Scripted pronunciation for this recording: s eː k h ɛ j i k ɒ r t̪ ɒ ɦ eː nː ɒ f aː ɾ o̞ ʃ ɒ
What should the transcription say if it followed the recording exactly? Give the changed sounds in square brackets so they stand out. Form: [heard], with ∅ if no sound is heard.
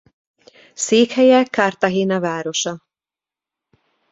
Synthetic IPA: s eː k h ɛ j [ɛ] k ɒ r t̪ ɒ ɦ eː [n] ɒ [v] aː ɾ o̞ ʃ ɒ